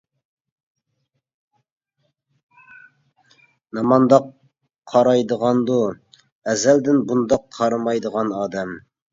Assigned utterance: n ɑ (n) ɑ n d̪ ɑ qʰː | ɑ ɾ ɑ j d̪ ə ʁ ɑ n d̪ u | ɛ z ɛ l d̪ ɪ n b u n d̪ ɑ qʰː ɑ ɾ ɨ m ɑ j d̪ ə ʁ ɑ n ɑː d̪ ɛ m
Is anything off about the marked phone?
yes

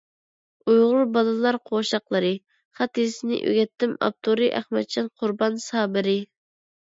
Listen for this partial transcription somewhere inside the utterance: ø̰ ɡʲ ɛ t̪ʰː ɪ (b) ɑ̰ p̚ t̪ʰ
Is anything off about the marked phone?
yes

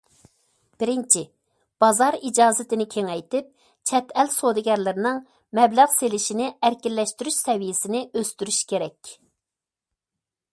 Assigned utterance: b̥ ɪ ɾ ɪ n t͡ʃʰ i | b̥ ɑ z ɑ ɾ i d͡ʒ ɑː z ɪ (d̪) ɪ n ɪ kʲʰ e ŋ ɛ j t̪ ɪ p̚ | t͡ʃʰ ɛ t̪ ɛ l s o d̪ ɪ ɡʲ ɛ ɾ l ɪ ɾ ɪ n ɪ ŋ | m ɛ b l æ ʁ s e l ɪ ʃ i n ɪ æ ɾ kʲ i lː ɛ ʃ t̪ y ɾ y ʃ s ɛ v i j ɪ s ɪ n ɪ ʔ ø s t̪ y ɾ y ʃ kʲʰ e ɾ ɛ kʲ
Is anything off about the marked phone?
yes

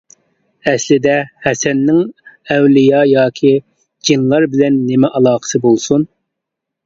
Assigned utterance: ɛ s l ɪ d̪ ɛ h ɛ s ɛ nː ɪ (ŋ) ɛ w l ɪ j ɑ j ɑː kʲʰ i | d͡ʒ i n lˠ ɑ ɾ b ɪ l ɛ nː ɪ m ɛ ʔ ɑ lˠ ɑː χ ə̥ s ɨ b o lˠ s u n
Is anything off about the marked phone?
no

